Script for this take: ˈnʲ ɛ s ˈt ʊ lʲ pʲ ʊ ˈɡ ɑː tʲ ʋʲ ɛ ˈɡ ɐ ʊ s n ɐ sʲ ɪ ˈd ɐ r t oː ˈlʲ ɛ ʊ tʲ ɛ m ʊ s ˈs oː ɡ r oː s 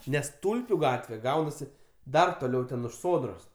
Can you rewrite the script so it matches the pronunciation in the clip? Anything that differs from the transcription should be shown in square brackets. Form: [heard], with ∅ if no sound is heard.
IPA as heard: ˈnʲ ɛ s ˈt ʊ lʲ pʲ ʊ ˈɡ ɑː tʲ ʋʲ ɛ ˈɡ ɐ ʊ [∅] n ɐ sʲ ɪ ˈd ɐ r t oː ˈlʲ ɛ ʊ tʲ ɛ [n] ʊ [ʃ] ˈs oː [d] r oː s